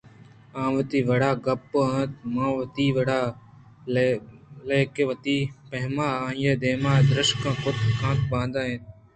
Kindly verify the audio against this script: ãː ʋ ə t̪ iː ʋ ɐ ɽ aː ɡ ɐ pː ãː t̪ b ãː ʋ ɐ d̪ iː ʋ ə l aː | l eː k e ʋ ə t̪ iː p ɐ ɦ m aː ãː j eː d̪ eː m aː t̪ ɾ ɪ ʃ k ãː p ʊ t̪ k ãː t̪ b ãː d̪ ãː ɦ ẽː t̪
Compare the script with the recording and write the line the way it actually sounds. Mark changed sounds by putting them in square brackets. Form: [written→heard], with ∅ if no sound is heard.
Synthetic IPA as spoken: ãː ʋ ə t̪ iː ʋ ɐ ɽ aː ɡ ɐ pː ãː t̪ [b→m] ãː ʋ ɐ [d̪→t̪] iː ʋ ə [l→ɽ] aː | l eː k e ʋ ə t̪ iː p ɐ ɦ m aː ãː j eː d̪ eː m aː [t̪→d̪] ɾ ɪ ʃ k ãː [p→k] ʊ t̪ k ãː t̪ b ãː d̪ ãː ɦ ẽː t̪

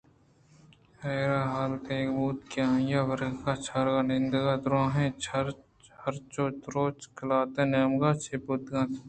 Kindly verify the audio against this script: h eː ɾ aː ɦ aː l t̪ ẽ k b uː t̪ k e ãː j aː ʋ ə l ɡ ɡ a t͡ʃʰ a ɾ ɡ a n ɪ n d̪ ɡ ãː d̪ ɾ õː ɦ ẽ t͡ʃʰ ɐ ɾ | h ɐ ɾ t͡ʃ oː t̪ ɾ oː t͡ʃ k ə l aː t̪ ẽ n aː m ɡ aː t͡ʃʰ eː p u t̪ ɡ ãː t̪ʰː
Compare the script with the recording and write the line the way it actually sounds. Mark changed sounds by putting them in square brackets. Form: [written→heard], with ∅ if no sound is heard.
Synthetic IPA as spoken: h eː ɾ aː ɦ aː l t̪ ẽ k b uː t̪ k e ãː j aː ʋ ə [l→ɾ] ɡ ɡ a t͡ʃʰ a ɾ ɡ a n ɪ n d̪ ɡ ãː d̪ ɾ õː ɦ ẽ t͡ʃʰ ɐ ɾ | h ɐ ɾ t͡ʃ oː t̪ ɾ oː t͡ʃ k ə l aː t̪ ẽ n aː m ɡ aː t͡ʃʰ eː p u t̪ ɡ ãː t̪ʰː

